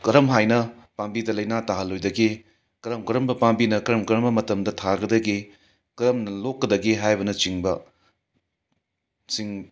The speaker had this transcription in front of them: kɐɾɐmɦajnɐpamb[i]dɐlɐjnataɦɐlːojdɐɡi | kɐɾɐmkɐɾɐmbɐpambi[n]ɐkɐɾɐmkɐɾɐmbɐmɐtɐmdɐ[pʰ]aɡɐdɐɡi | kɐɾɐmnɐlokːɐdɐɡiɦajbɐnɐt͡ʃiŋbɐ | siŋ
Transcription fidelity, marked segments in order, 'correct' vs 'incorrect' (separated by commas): correct, correct, incorrect